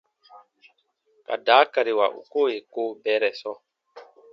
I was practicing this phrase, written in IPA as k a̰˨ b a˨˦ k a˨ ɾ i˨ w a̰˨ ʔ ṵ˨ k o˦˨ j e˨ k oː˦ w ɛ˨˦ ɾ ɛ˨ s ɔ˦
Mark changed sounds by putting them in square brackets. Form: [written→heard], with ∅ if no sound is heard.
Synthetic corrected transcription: k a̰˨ [b→d] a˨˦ k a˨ ɾ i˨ w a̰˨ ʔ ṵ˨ k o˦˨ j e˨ k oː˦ [w→b] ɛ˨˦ ɾ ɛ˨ s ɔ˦